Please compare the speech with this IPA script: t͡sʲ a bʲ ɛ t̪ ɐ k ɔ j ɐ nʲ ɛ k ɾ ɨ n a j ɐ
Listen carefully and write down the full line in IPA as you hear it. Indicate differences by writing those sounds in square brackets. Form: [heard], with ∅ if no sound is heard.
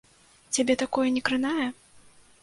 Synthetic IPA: t͡sʲ a bʲ ɛ t̪ [a] k ɔ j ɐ nʲ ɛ k ɾ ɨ n a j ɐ